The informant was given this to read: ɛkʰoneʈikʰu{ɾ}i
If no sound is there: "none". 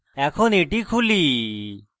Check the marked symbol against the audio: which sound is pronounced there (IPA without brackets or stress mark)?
l